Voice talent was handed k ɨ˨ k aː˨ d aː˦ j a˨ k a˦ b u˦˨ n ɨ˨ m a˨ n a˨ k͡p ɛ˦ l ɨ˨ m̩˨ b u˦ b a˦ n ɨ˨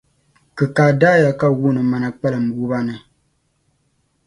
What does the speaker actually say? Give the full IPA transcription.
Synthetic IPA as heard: k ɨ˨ k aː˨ d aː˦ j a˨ k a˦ w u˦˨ n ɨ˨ m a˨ n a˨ k͡p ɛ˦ l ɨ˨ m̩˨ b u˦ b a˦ n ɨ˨

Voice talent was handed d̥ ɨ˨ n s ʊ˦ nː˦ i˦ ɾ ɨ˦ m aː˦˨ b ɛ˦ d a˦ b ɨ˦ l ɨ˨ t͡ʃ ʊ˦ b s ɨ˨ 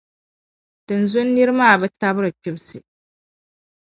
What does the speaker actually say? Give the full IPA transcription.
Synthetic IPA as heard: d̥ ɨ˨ n z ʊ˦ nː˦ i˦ ɾ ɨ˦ m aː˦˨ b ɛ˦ t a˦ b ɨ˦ ɾ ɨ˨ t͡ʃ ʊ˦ b s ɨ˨

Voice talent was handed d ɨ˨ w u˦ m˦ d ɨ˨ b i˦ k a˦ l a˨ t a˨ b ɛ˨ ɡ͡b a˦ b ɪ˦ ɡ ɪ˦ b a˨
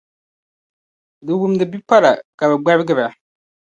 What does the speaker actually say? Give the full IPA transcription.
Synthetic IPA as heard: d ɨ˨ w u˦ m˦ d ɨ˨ b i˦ p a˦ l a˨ k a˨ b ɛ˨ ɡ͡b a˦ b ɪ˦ ɡ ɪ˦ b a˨

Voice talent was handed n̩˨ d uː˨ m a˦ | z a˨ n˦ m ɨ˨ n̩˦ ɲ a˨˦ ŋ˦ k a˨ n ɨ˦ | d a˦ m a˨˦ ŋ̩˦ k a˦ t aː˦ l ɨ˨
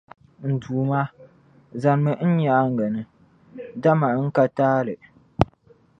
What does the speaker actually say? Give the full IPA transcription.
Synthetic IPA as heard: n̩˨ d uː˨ m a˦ | z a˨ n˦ m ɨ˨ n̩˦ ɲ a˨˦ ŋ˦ ɡ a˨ n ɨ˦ | d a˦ m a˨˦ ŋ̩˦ k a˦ t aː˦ l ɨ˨

